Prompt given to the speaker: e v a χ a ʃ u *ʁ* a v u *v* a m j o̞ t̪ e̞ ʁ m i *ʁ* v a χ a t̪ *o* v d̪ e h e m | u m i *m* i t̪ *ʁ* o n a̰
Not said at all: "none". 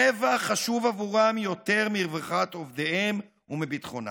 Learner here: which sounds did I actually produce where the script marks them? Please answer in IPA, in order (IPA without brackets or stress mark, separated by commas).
v, ʁ, ʁ, o, b, χ